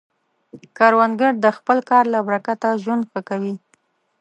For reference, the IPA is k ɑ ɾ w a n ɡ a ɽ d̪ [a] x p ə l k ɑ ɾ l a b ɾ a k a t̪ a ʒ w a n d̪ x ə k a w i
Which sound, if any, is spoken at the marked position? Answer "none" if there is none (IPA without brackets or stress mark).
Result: ə